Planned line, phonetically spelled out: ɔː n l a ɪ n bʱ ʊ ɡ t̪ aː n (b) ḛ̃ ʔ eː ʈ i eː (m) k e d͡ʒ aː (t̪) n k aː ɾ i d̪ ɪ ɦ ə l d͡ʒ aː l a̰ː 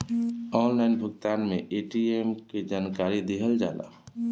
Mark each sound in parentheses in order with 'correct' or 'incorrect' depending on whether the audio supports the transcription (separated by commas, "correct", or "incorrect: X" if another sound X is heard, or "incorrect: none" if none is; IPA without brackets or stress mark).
incorrect: m, correct, incorrect: none